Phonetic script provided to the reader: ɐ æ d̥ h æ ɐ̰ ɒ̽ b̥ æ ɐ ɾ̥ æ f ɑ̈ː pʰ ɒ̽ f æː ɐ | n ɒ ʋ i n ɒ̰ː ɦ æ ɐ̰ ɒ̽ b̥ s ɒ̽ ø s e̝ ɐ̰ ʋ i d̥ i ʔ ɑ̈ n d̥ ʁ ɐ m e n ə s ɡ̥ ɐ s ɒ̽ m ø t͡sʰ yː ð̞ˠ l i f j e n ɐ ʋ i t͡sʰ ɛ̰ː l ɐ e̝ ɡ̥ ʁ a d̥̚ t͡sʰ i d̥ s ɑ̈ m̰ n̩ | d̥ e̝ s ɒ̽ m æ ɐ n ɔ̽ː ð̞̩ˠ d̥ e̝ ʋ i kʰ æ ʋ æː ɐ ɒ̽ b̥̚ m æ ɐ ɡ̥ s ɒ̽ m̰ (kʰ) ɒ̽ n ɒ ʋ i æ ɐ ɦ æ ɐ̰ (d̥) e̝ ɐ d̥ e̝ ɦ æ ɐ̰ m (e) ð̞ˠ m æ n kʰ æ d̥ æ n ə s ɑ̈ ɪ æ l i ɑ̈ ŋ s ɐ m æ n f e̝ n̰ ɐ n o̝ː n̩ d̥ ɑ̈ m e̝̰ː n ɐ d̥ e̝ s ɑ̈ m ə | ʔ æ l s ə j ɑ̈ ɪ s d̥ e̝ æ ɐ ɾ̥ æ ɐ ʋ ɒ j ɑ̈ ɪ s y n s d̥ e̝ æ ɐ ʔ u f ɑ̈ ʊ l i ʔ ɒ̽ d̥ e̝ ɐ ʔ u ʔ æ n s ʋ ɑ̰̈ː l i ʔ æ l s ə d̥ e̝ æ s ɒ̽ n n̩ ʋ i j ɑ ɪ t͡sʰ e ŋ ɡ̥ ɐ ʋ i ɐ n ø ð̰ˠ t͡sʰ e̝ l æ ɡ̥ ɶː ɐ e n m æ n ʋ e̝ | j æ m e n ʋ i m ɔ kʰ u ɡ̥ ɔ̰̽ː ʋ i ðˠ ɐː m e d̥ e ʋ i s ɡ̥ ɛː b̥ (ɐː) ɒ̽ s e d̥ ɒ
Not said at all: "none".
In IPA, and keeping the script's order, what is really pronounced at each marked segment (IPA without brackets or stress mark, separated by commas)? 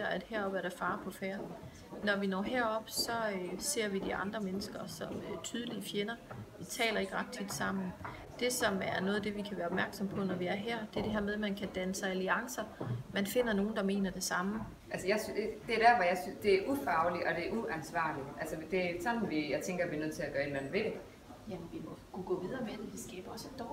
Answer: pʰ, d̥, e, ɐ